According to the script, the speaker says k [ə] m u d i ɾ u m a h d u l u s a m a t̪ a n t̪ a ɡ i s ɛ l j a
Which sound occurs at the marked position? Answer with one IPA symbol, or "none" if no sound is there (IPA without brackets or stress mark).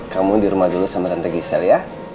a